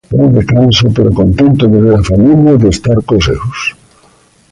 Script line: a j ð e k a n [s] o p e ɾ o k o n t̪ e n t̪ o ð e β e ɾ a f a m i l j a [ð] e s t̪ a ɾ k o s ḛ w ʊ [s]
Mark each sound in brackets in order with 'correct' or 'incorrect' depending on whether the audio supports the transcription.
correct, correct, correct

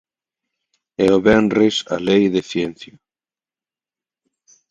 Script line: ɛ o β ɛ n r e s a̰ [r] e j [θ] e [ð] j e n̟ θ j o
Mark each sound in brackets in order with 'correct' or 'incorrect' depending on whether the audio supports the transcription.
incorrect, incorrect, incorrect

